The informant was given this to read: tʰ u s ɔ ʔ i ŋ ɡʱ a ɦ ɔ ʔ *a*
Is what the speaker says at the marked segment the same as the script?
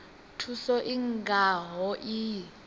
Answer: no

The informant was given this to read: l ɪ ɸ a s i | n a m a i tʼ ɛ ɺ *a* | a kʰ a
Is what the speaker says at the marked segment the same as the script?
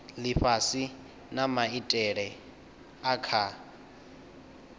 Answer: no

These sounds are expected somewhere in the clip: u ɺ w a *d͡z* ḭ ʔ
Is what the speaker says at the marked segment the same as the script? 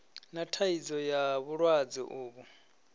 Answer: yes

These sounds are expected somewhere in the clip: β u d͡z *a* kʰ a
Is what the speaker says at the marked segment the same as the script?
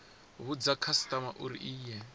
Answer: yes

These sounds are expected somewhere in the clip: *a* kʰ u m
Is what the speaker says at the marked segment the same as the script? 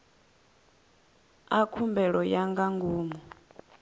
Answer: yes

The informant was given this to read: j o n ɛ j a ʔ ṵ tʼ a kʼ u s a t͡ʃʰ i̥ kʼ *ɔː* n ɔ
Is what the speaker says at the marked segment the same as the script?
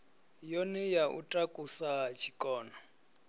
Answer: yes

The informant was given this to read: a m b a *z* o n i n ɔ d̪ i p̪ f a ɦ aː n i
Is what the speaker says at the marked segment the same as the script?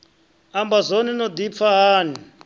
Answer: yes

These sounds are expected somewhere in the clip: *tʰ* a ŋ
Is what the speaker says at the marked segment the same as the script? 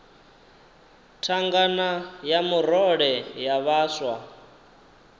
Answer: yes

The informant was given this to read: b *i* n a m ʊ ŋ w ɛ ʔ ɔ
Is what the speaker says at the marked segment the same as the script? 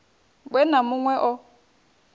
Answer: no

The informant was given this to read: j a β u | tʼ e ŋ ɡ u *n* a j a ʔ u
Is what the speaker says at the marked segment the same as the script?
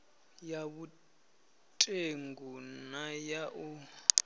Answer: yes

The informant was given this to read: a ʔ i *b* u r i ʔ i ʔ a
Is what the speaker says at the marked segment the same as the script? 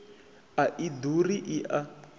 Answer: no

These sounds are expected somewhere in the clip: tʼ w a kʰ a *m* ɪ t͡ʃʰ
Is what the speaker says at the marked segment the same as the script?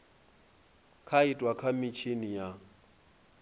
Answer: yes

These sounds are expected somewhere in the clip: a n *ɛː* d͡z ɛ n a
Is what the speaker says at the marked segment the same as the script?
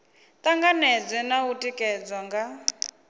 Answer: no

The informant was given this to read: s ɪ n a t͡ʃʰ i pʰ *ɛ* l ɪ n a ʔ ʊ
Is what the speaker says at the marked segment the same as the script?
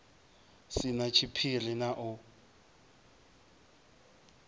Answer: no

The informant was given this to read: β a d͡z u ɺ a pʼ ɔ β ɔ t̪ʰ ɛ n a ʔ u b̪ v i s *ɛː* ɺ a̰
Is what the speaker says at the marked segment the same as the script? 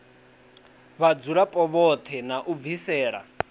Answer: yes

